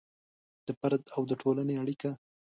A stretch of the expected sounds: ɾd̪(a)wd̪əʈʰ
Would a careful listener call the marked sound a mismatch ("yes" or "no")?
no